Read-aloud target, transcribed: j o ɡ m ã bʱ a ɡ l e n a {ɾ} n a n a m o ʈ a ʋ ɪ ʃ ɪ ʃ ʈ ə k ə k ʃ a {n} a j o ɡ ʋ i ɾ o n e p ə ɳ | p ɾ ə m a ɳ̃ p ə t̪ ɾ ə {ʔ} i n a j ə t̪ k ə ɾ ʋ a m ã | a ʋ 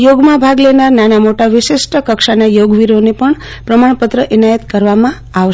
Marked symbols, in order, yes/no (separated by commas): yes, yes, yes